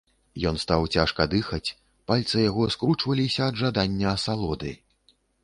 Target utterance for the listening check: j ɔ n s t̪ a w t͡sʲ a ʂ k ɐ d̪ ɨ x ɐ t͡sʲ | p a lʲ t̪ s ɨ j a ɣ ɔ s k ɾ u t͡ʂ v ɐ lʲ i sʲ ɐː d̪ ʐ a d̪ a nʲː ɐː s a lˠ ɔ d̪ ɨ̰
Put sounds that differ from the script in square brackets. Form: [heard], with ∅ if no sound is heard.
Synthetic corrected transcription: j ɔ n s t̪ a w t͡sʲ a ʂ k ɐ d̪ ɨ x ɐ t͡sʲ | p a lʲ t̪ s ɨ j a ɣ ɔ s k ɾ u t͡ʂ v ɐ lʲ i sʲ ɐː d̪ ʐ a d̪ a nʲː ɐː s a lˠ ɔ d̪ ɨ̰